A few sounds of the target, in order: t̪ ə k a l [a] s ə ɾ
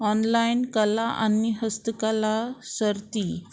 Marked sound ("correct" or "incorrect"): correct